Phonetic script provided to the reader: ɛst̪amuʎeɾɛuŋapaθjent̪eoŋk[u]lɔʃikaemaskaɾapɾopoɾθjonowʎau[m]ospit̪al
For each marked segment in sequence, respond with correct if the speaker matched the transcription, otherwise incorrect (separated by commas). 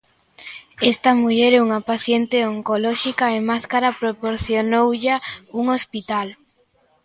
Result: incorrect, incorrect